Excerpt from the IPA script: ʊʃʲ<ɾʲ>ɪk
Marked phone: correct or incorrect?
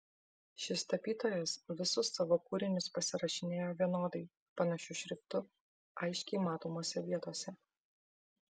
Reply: correct